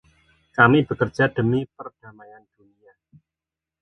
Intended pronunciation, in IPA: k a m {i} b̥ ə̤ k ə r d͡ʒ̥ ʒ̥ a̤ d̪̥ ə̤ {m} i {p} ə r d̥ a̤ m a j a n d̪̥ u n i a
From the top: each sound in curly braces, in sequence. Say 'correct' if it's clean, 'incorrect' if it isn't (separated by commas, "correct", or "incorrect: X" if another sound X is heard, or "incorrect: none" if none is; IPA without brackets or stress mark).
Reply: correct, correct, correct